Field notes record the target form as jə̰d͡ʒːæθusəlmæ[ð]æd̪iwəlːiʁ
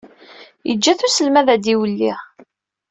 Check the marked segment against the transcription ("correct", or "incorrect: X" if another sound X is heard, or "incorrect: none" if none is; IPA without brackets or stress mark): correct